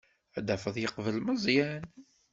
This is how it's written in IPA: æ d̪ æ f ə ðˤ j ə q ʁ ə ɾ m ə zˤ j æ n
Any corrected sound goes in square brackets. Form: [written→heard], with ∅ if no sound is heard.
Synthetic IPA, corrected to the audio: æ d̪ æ f ə ðˤ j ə q [ʁ→v] ə [ɾ→l] m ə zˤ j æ n